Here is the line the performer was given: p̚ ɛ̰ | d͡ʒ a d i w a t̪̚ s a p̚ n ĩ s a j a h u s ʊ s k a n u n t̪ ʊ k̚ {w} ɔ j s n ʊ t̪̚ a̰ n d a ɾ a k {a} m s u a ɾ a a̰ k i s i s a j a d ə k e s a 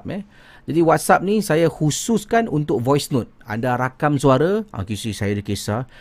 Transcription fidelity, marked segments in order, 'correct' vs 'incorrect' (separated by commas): incorrect, correct